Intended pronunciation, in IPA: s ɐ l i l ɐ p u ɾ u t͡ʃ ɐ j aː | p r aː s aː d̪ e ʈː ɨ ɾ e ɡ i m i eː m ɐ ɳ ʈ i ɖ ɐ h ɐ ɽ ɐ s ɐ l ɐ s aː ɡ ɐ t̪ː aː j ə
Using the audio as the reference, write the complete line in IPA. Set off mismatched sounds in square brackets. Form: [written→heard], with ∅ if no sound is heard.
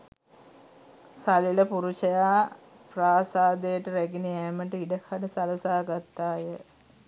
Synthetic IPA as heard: s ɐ l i l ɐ p u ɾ u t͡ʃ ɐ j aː | p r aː s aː d̪ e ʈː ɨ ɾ e ɡ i [m→n] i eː m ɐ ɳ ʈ i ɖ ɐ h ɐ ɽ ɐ s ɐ l ɐ s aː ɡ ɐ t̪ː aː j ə